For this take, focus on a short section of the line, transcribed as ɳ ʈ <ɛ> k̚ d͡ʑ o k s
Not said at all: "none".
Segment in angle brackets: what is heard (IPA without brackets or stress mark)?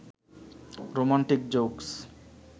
i